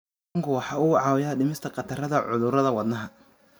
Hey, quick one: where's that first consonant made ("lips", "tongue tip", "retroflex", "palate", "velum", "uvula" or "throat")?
velum